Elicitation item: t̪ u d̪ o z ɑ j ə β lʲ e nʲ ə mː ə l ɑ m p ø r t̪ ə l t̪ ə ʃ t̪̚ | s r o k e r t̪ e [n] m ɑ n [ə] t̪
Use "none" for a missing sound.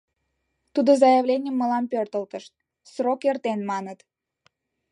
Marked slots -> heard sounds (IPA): n, ə

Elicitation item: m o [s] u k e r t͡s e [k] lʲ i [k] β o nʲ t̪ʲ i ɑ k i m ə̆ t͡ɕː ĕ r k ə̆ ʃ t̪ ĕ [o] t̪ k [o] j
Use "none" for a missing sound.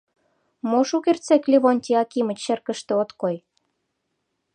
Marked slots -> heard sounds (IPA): ʃ, k, none, o, o

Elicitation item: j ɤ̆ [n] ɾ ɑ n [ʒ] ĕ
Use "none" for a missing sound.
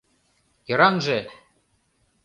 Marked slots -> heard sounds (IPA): none, ʒ

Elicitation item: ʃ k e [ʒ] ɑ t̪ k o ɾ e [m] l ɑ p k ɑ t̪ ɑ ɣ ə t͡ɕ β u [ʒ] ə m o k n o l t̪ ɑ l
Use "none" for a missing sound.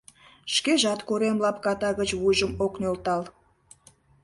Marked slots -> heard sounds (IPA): ʒ, m, ʒ

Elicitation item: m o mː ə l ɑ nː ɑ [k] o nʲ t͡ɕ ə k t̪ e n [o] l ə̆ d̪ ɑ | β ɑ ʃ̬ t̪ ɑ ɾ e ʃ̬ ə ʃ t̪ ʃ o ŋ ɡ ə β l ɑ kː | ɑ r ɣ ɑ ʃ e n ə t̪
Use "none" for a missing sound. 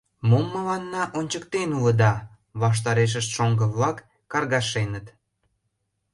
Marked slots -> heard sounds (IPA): ʔ, u

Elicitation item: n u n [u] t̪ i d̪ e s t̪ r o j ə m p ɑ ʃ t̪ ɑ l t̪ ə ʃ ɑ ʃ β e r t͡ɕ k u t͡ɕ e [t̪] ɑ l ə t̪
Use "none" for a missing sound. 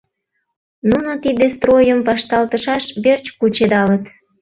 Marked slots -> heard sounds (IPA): o, d̪

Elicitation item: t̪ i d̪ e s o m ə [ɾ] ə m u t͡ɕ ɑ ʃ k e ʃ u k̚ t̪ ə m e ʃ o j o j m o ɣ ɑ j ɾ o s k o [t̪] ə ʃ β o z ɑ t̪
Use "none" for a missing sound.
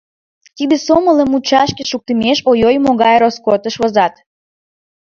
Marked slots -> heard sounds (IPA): l, t̪

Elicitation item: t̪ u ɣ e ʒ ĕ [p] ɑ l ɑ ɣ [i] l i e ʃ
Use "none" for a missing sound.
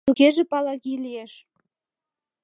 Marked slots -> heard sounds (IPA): p, i

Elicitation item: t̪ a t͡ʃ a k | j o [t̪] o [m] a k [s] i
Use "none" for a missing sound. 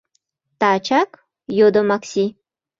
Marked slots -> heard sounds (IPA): d̪, m, s

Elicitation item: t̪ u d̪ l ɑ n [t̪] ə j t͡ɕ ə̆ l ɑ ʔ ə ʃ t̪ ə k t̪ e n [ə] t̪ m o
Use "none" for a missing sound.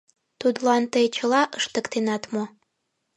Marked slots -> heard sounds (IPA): t̪, ɑ

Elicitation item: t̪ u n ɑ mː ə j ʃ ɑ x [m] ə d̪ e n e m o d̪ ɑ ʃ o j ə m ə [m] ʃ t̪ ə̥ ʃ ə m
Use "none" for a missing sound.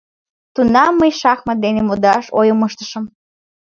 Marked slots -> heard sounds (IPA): m, none

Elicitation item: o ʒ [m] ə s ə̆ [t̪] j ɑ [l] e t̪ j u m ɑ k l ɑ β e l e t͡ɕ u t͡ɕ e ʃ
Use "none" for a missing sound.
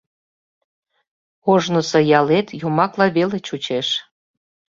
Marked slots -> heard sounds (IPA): n, none, l

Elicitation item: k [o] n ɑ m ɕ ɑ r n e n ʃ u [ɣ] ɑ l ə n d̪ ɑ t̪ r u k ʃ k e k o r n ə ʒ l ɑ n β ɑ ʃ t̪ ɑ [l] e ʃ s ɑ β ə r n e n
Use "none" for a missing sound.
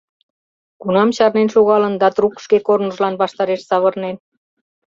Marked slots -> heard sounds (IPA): u, ɣ, ɾ

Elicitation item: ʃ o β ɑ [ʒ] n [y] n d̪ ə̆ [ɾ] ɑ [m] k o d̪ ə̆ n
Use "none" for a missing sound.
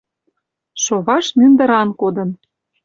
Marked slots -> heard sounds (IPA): ʃ, y, ɾ, n

